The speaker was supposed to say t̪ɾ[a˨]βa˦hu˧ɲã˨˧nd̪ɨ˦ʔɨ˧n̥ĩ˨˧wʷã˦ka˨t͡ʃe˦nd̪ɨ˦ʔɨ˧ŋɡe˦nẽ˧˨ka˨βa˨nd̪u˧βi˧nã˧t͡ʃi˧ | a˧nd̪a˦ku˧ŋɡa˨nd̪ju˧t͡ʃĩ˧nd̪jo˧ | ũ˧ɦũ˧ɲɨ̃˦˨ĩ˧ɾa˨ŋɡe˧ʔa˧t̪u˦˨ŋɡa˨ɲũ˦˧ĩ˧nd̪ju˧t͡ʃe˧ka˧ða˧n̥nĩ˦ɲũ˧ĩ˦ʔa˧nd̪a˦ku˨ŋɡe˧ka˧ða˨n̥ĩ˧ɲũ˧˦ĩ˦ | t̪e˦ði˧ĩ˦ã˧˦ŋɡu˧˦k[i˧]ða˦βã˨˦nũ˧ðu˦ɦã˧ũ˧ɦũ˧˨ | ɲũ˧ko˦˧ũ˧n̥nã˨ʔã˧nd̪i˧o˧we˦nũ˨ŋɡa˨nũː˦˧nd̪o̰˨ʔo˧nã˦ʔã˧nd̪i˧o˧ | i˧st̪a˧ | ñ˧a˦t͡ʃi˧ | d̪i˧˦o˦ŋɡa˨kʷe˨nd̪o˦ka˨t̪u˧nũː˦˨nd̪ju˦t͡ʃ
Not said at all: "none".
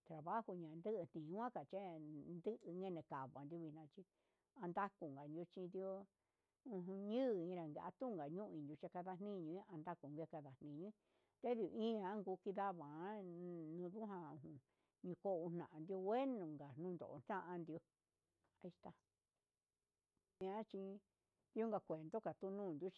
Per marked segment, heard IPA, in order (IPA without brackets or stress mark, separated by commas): a˨, i˧